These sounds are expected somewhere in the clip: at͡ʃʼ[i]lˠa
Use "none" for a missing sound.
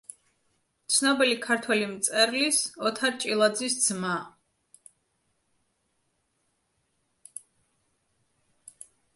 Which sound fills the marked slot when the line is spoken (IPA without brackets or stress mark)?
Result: i